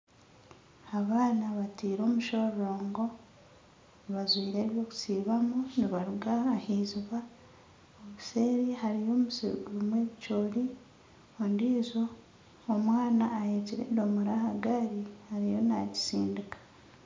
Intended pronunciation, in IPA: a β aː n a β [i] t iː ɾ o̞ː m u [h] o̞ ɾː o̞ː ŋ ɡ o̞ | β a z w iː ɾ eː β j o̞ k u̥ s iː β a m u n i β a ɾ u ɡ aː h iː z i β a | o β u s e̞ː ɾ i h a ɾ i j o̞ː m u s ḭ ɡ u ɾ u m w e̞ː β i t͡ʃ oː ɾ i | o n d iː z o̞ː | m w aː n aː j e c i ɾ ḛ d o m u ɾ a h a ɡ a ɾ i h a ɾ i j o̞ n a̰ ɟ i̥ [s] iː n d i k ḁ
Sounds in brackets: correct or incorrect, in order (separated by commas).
incorrect, incorrect, correct